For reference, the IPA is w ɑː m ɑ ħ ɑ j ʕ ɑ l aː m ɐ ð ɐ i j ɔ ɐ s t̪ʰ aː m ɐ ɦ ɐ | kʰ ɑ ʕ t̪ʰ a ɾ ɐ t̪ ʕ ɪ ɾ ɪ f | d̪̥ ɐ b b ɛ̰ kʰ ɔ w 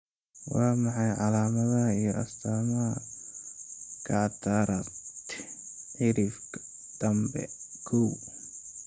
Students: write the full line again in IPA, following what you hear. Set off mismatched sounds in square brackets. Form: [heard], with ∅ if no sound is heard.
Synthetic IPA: w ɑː m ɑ ħ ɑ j ʕ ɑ l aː m ɐ ð ɐ i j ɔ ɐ s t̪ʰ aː m ɐ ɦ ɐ | kʰ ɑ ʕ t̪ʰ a ɾ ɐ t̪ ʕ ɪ ɾ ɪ f | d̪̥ ɐ [m] b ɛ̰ kʰ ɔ w